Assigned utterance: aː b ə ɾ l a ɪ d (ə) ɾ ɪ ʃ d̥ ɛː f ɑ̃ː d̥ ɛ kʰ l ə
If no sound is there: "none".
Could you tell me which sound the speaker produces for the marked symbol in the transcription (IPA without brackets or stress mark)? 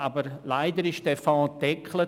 ə